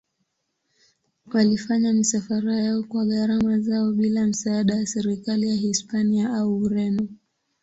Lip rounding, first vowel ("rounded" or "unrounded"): unrounded